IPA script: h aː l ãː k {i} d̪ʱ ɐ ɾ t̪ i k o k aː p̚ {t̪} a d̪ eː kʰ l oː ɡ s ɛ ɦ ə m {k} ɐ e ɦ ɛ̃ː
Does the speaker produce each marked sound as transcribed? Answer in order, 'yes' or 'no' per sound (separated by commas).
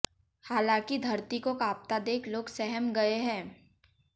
yes, yes, no